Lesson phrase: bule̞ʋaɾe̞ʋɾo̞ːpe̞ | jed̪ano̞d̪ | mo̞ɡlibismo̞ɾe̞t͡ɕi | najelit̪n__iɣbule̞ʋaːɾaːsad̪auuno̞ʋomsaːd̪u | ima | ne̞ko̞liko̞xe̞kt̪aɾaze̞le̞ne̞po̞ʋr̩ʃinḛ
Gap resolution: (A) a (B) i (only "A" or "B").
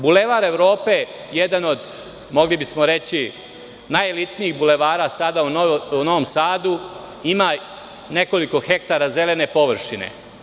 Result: B